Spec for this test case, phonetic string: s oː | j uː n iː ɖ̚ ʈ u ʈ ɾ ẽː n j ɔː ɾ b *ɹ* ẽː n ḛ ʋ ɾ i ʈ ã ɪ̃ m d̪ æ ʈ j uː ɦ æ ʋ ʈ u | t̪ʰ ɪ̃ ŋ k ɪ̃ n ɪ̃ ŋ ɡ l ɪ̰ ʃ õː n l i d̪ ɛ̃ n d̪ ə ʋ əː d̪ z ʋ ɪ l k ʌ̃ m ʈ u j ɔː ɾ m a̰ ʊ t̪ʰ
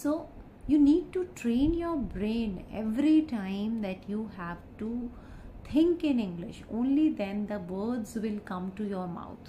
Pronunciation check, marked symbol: incorrect: ɾ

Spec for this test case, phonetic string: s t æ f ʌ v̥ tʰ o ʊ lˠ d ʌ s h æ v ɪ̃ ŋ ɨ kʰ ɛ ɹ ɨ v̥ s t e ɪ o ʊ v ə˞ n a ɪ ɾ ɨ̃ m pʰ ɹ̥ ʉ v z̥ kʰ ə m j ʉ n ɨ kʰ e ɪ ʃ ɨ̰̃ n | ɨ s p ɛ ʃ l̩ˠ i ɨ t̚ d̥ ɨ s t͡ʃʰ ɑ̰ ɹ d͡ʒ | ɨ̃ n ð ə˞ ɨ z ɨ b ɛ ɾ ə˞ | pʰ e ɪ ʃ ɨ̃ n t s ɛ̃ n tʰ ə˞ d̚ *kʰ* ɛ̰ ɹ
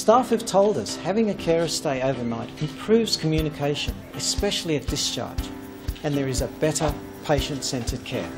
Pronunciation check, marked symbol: correct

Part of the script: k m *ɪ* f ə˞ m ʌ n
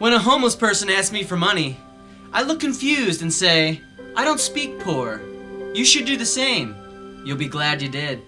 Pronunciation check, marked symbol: incorrect: i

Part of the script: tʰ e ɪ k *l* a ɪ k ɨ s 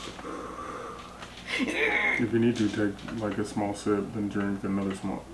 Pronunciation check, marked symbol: correct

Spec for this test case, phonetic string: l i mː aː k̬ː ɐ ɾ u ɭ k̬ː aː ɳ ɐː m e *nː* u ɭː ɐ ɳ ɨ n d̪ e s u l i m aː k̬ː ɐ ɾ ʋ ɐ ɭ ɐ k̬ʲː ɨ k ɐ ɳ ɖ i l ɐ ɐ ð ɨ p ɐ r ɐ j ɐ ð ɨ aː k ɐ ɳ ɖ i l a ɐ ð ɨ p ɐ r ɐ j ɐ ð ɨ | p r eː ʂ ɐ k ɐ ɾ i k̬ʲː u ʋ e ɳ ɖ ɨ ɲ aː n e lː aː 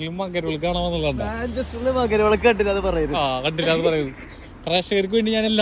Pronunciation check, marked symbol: correct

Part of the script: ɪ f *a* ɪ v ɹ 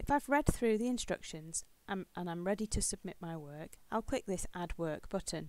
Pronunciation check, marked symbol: correct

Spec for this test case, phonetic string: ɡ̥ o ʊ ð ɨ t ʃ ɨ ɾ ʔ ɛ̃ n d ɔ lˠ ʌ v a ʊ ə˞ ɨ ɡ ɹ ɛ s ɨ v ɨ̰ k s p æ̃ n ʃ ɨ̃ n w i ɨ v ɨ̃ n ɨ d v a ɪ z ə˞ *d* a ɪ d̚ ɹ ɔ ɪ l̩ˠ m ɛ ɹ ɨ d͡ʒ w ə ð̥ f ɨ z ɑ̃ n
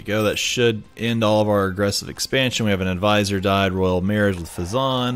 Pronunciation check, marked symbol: correct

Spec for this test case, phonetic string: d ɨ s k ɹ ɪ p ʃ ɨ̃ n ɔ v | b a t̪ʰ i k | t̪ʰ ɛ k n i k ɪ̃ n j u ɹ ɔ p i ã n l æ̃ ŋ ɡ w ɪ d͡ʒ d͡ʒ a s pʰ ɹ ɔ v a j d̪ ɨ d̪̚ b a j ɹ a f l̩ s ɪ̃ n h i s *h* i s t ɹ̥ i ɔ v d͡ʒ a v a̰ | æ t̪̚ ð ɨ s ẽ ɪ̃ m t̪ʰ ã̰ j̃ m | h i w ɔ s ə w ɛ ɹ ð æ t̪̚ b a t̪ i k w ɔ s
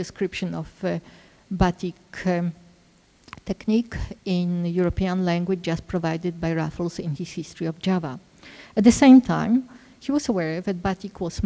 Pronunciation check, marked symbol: correct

